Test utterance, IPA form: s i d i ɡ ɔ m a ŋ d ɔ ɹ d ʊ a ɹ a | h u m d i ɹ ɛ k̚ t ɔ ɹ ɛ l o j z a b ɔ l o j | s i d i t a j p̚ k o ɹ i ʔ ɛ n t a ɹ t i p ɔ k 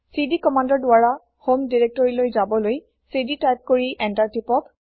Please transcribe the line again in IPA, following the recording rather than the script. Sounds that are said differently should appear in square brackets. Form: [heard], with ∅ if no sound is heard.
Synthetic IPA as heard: s i d i [k] ɔ m a [n] d ɔ ɹ d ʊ a ɹ a | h [o] m d i ɹ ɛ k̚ t ɔ ɹ [i] l o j z a b ɔ l o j | s i d i t a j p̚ k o ɹ i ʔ ɛ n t a ɹ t i p ɔ k